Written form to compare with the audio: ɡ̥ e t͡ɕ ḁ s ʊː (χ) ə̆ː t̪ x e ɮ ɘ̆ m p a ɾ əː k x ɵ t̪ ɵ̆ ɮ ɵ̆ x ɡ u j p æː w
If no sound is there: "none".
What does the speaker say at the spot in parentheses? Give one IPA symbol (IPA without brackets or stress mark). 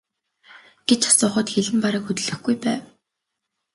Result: χ